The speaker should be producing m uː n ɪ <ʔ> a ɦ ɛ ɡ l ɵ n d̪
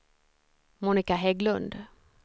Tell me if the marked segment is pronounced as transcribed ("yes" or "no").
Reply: no